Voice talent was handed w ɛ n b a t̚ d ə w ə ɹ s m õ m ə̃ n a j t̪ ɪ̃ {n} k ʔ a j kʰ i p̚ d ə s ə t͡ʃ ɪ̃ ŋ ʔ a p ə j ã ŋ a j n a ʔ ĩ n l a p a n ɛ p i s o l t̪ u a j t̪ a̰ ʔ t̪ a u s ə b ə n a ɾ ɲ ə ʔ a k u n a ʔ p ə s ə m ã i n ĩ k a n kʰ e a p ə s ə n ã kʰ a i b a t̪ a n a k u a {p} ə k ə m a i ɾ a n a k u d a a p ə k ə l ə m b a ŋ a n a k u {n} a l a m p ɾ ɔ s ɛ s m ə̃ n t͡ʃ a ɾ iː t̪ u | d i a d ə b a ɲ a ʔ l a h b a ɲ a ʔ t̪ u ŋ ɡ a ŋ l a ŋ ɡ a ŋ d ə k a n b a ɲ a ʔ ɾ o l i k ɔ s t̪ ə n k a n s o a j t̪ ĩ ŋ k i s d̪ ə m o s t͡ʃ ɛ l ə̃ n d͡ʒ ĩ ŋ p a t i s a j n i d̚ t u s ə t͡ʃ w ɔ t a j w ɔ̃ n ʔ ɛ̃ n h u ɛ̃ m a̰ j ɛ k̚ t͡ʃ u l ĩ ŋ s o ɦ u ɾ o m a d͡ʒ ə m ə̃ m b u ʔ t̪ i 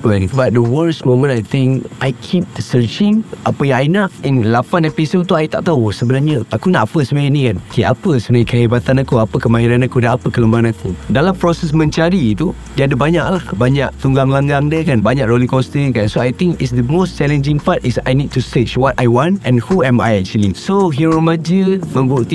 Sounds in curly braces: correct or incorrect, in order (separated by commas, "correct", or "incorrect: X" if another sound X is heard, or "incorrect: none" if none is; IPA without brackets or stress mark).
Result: incorrect: ŋ, correct, incorrect: d